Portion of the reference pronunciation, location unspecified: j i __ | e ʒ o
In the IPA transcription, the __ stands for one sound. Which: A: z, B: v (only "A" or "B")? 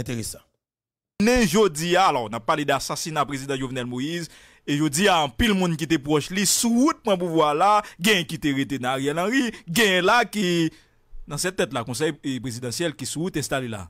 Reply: A